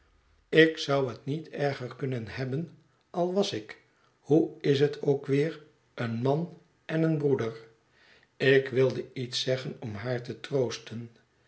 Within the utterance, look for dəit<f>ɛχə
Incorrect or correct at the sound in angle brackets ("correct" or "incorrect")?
incorrect